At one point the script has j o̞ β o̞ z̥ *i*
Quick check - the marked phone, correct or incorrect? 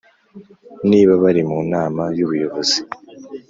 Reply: correct